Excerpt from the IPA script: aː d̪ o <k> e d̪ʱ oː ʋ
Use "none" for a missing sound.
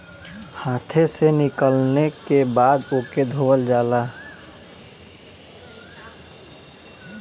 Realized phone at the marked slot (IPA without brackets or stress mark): k